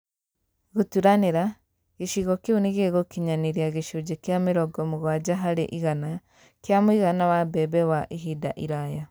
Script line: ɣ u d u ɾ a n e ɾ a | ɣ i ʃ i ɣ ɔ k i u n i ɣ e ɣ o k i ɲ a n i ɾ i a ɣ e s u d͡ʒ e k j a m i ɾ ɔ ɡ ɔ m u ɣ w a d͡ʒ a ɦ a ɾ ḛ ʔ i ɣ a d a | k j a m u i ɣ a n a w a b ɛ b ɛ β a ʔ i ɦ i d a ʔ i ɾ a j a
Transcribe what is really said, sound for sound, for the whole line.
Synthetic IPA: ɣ u t u ɾ a n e ɾ a | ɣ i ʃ i ɣ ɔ k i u n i ɣ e ɣ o k i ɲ a n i ɾ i a ɣ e ʃ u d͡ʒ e k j a m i ɾ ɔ ɡ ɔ m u ɣ w a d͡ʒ a ɦ a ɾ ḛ ʔ i ɣ a n a | k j a m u i ɣ a n a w a b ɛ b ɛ w a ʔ i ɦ i d a ʔ i ɾ a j a